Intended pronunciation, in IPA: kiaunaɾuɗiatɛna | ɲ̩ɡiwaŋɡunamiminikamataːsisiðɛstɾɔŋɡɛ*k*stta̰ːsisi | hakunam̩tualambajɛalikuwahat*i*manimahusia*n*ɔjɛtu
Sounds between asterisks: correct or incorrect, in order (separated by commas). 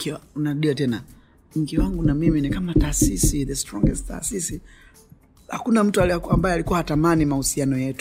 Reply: incorrect, incorrect, correct